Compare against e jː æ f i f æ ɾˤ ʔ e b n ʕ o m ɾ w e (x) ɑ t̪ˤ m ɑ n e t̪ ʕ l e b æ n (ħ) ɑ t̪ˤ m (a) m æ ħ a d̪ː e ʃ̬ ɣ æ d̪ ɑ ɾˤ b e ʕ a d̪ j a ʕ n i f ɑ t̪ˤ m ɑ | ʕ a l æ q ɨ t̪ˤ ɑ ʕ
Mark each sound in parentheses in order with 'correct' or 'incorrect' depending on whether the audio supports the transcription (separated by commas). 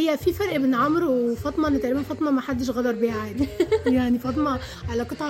incorrect, incorrect, incorrect